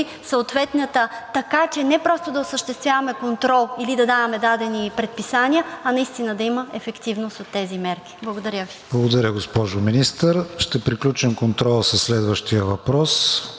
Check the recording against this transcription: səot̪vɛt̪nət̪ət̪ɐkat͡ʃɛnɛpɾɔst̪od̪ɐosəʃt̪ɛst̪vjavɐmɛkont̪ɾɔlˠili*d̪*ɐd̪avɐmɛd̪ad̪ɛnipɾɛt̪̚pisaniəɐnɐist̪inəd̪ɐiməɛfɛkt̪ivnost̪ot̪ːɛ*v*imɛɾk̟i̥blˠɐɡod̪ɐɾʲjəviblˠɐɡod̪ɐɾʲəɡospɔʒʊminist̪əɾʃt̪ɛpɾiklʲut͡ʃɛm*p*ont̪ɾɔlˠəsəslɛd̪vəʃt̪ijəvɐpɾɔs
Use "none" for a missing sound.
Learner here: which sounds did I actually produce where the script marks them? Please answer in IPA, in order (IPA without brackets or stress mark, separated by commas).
d̪, z, k